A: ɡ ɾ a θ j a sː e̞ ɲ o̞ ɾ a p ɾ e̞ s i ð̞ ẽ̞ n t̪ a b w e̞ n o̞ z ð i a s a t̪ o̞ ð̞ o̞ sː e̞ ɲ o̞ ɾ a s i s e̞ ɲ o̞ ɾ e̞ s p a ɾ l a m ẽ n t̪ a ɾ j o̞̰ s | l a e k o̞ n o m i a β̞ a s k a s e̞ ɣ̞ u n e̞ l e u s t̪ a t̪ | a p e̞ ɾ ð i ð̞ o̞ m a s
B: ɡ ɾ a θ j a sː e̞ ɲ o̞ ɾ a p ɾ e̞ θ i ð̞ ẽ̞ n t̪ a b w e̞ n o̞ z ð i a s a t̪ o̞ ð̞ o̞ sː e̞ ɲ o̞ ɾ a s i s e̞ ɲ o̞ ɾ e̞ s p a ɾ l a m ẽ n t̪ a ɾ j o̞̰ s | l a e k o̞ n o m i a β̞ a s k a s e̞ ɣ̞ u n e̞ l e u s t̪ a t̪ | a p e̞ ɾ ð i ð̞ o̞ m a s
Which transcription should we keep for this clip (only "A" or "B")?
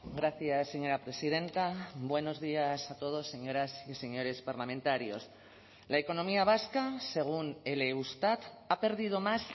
A